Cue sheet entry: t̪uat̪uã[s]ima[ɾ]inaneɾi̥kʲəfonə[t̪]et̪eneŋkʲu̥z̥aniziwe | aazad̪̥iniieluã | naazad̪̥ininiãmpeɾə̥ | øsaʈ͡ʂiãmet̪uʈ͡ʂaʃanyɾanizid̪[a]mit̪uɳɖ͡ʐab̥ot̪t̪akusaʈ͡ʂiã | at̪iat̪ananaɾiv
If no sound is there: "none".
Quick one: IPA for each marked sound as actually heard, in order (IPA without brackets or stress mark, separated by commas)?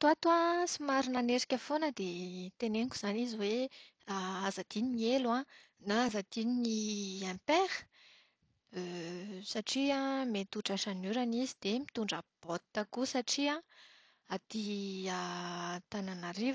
s, ɾ, d̪, e